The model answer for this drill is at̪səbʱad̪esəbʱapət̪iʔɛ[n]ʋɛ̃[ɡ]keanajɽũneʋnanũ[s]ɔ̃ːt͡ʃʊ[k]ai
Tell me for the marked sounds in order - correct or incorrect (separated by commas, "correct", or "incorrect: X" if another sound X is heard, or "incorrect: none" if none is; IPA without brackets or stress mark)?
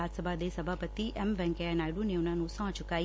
incorrect: m, incorrect: ŋ, correct, correct